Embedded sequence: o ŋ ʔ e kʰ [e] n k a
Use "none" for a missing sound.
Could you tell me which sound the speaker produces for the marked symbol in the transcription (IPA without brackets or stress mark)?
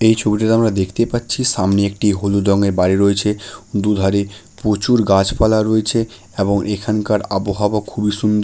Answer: a